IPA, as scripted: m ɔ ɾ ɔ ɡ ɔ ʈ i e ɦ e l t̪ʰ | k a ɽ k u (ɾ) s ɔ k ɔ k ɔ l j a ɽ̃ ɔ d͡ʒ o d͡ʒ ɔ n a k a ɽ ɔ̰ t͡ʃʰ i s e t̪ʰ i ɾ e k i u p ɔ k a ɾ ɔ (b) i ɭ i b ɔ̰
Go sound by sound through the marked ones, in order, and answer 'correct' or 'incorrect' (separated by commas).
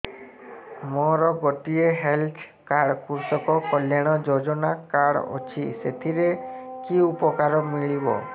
correct, incorrect